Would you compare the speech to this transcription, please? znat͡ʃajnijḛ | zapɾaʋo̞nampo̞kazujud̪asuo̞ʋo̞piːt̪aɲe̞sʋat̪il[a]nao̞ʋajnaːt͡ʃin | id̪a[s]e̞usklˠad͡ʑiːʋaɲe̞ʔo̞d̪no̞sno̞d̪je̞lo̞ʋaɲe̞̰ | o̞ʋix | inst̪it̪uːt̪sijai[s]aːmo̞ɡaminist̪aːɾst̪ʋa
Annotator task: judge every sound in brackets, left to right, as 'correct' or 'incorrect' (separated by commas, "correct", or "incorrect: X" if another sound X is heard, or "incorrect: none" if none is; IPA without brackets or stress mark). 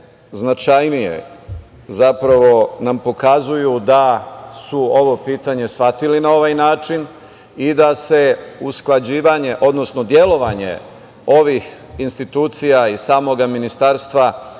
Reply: incorrect: i, correct, correct